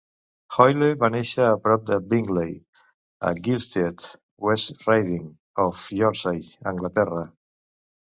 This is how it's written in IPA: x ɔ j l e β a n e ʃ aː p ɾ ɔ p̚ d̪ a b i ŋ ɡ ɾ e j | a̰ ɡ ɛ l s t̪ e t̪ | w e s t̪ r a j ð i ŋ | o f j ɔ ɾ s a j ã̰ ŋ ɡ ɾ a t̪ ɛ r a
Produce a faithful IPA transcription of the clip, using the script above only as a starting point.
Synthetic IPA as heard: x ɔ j l e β a n e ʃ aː p ɾ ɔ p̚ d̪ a b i ŋ ɡ l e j | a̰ ɡ i l s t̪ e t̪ | w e s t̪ r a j ð i ŋ | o f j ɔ ɾ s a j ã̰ ŋ ɡ l a t̪ ɛ r a